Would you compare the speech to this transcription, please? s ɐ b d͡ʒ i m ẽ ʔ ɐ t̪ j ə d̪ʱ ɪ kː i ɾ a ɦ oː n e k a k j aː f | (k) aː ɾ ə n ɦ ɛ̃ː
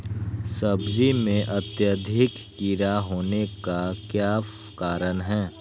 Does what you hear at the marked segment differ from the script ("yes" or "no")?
no